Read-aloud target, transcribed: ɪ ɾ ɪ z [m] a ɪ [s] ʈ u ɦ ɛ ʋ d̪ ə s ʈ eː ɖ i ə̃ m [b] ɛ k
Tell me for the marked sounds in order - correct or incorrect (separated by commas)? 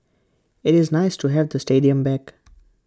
incorrect, correct, correct